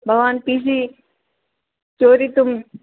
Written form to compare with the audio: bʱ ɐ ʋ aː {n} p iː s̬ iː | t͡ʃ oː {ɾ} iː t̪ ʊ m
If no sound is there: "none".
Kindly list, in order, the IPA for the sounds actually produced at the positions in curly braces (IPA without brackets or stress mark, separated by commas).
n, ɾ